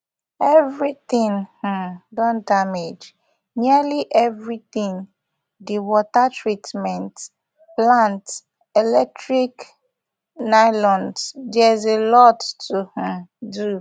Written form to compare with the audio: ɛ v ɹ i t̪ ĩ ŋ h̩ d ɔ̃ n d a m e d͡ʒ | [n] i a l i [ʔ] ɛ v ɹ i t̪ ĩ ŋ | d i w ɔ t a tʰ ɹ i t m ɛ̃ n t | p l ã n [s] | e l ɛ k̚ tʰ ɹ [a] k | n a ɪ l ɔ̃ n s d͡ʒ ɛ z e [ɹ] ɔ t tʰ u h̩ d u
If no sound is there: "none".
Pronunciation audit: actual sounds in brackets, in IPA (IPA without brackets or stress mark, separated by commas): n, ʔ, t, i, l